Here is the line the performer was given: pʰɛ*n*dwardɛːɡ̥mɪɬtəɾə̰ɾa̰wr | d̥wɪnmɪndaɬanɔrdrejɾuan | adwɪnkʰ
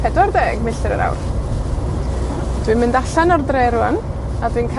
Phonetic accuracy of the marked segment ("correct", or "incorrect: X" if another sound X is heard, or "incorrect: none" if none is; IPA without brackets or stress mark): incorrect: none